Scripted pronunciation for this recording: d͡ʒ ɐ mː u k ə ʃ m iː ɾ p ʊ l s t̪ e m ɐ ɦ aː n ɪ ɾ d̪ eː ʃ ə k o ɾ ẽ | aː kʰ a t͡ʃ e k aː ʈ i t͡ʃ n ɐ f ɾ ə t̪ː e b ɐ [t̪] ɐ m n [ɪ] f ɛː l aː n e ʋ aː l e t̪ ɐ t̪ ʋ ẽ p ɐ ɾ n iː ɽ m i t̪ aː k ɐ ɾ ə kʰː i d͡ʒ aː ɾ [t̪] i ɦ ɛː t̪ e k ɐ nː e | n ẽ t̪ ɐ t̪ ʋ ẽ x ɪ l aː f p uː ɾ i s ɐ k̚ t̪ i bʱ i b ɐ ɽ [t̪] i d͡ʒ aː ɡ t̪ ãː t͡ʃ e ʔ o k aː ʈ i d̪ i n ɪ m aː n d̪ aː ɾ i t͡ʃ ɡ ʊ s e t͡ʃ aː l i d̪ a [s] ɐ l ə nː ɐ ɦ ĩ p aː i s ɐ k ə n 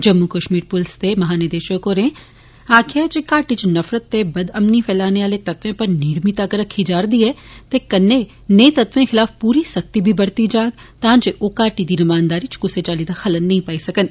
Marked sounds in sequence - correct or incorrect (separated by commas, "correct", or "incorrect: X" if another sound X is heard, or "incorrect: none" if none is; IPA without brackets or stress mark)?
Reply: incorrect: d̪, incorrect: i, incorrect: d̪, correct, incorrect: x